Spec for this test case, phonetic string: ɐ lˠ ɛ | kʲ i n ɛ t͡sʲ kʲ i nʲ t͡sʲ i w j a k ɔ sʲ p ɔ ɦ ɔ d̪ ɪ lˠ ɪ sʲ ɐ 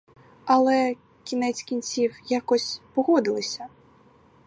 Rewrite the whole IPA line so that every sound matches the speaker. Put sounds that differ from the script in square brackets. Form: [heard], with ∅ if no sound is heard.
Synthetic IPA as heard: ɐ lˠ ɛ | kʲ i n ɛ t͡sʲ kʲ i nʲ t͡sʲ i w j a k ɔ sʲ p ɔ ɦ ɔ d̪ ɪ lˠ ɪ sʲ ɐ

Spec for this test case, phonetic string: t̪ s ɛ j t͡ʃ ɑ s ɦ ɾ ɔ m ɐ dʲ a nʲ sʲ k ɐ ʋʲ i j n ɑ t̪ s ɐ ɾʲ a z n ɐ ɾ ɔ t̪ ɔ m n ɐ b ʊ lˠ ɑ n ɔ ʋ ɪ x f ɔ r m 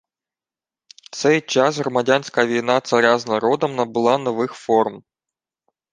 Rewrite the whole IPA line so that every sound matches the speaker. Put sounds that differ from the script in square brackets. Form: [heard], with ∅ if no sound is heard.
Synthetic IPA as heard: t̪ s ɛ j t͡ʃ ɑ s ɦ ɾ ɔ m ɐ dʲ a nʲ sʲ k ɐ ʋʲ i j n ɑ t̪ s ɐ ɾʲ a z n ɐ ɾ ɔ [d̪] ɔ m n ɐ b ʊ lˠ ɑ n ɔ ʋ ɪ x f ɔ r m

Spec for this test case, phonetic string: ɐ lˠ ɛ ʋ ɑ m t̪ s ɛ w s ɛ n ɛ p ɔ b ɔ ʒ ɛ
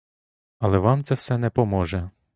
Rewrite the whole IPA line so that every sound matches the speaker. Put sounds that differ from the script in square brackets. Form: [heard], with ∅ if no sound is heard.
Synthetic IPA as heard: ɐ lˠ ɛ ʋ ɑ m t̪ s ɛ w s ɛ n ɛ p ɔ [m] ɔ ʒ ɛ

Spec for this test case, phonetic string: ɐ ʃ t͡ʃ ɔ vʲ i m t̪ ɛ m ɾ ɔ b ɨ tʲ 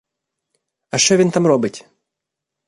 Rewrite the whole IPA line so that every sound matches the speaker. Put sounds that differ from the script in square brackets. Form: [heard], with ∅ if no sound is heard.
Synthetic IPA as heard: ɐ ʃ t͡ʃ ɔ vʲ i [n] t̪ [a] m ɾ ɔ b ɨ tʲ

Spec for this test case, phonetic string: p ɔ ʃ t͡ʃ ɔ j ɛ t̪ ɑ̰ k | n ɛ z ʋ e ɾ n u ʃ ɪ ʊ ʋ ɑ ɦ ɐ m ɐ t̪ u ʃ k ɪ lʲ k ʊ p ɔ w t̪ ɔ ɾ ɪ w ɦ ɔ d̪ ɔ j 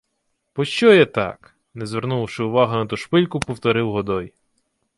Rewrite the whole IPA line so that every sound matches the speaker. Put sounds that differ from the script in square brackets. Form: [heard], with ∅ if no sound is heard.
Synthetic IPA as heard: p ɔ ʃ t͡ʃ ɔ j ɛ t̪ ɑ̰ k | n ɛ z ʋ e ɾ n u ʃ ɪ ʊ ʋ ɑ ɦ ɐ [n] ɐ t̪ u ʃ [p] ɪ lʲ k ʊ p ɔ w t̪ ɔ ɾ ɪ w ɦ ɔ d̪ ɔ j

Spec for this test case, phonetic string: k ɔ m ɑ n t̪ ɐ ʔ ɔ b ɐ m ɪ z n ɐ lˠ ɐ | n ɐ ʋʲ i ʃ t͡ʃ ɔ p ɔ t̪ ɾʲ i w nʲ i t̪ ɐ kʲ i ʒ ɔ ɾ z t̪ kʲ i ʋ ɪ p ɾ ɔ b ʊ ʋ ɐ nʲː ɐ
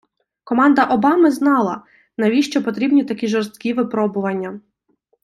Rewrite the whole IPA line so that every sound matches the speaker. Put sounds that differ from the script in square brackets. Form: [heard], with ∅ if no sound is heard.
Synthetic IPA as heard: k ɔ m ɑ n [d̪] ɐ ʔ ɔ b [ɑ] m ɪ z n [ɑ] lˠ ɐ | n ɐ ʋʲ i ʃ t͡ʃ ɔ p ɔ t̪ ɾʲ i [b] nʲ i t̪ ɐ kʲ i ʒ ɔ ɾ [s] t̪ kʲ i ʋ ɪ p ɾ ɔ b ʊ ʋ ɐ nʲː ɐ

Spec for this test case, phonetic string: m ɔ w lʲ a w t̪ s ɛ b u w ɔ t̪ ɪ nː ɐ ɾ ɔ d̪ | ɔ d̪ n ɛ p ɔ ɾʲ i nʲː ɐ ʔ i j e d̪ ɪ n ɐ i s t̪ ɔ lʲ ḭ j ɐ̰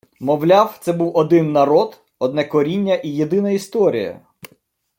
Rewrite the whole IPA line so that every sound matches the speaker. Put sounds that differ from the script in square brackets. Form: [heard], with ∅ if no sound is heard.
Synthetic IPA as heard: m ɔ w lʲ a w t̪ s ɛ b u w ɔ [d̪] ɪ nː ɐ ɾ ɔ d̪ | ɔ d̪ n ɛ [k] ɔ ɾʲ i nʲː ɐ ʔ i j e d̪ ɪ n ɐ i s t̪ ɔ [ɾʲ] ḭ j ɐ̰

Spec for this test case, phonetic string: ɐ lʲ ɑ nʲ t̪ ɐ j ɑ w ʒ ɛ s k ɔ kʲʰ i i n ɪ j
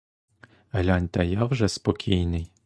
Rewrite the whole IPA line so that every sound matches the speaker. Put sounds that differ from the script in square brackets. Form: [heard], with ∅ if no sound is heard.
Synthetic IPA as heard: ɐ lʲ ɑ nʲ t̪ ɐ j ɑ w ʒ ɛ s [p] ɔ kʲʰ i [j] n ɪ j

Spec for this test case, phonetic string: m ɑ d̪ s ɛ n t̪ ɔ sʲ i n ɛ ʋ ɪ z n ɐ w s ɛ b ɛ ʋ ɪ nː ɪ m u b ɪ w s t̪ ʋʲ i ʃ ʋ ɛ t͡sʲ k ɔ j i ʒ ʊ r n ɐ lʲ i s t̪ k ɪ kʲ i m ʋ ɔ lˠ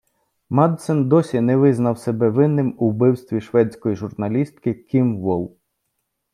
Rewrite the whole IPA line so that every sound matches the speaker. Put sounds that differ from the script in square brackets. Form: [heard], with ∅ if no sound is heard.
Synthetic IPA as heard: m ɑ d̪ s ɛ n [d̪] ɔ sʲ i n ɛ ʋ ɪ z n ɐ w s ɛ b ɛ ʋ ɪ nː ɪ m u b ɪ w s t̪ ʋʲ i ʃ ʋ ɛ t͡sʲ k ɔ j i ʒ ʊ r n ɐ lʲ i s t̪ k ɪ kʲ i m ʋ ɔ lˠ

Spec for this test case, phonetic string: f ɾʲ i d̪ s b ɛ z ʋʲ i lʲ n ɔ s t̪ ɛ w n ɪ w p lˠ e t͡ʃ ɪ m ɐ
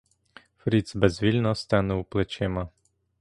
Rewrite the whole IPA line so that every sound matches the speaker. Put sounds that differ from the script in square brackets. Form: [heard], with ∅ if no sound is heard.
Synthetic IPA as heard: f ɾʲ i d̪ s b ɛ z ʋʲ i lʲ n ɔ s t̪ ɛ [∅] n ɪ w p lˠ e t͡ʃ ɪ m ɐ

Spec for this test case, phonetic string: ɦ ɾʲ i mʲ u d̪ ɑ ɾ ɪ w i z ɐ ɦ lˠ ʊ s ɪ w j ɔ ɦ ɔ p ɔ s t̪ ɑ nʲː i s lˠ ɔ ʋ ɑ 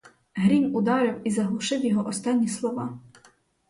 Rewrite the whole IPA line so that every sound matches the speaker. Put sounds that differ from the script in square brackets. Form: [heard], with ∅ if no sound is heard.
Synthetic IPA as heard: ɦ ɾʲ i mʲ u d̪ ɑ ɾ ɪ w i z ɐ ɦ lˠ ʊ [ʃ] ɪ w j ɔ ɦ ɔ [ʔ] ɔ s t̪ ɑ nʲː i s lˠ ɔ ʋ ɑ

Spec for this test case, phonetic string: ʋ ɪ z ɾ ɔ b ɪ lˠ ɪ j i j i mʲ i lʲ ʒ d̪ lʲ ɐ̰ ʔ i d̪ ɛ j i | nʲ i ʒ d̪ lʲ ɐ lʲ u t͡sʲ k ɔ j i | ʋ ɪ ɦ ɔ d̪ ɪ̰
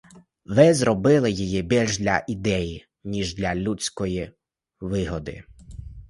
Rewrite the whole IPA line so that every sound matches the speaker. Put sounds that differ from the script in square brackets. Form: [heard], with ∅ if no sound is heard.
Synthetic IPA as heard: ʋ ɪ z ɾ ɔ b ɪ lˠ ɪ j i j i [bʲ] i lʲ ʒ d̪ lʲ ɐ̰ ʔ i d̪ ɛ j i | nʲ i ʒ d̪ lʲ ɐ lʲ u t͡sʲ k ɔ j i | ʋ ɪ ɦ ɔ d̪ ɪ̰

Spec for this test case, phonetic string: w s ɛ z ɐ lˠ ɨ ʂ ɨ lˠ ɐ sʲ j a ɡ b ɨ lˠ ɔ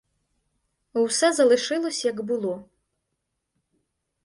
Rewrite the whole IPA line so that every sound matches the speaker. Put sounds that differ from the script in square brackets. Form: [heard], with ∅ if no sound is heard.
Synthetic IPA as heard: w s ɛ z ɐ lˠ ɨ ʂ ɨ lˠ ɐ sʲ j [ɐ] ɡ b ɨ lˠ ɔ

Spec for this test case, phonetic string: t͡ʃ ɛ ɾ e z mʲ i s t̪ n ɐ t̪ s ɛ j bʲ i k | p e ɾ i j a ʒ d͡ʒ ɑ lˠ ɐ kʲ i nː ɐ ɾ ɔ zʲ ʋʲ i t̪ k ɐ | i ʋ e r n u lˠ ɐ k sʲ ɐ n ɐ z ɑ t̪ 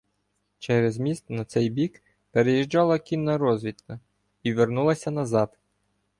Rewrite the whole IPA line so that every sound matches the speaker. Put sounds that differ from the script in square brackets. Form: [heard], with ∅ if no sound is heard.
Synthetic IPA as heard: t͡ʃ ɛ ɾ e z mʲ i s t̪ n ɐ t̪ s ɛ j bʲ i k | p e ɾ [e] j [i] ʒ d͡ʒ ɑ lˠ ɐ kʲ i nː ɐ ɾ ɔ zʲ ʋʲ i t̪ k ɐ | i ʋ e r n u lˠ ɐ [∅] sʲ ɐ n ɐ z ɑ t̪

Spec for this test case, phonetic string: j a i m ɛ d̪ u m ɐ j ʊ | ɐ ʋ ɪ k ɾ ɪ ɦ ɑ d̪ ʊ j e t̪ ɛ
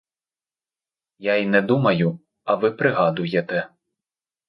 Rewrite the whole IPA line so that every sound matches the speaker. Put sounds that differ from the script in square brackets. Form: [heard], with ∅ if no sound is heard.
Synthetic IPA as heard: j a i [n] ɛ d̪ u m ɐ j ʊ | ɐ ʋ ɪ [p] ɾ ɪ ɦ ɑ d̪ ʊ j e t̪ ɛ

